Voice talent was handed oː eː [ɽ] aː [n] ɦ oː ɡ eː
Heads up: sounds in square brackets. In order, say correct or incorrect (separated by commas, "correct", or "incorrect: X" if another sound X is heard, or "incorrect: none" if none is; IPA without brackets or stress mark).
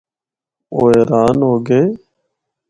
incorrect: ɾ, correct